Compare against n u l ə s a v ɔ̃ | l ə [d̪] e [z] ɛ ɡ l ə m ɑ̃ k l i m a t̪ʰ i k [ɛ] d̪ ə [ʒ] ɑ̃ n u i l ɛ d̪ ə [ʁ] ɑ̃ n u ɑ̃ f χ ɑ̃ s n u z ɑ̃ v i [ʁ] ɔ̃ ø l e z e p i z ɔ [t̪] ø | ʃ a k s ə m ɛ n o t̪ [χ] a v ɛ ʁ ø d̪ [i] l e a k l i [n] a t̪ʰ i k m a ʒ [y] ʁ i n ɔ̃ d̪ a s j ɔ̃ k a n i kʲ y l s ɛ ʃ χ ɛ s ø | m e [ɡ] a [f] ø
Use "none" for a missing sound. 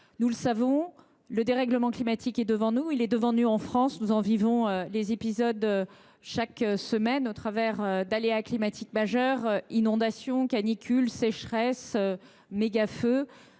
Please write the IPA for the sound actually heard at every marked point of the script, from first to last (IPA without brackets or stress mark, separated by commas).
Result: d̪, ʁ, ɛ, v, v, v, d̪, χ, a, m, œ, ɡ, f